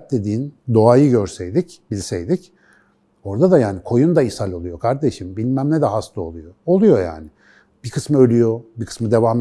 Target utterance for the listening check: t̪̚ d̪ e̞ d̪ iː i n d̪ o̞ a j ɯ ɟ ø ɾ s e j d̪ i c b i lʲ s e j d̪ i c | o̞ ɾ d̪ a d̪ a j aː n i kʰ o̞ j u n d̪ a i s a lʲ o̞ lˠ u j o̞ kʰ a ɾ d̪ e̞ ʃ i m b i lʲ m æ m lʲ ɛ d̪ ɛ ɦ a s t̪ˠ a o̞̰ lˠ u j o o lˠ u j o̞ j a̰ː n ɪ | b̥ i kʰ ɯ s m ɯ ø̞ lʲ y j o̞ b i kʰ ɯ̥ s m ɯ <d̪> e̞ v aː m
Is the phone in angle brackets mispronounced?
no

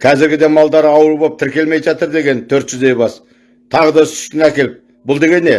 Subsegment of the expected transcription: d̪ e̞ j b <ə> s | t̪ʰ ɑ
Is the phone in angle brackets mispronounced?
yes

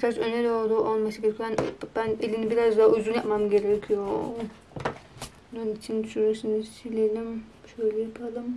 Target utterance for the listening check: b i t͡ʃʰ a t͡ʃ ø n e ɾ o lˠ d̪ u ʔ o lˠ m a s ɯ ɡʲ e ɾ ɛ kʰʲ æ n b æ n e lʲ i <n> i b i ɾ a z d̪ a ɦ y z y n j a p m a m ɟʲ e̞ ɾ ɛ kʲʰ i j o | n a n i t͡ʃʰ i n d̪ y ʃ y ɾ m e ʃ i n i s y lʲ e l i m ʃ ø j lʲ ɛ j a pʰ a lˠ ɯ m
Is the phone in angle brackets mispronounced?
no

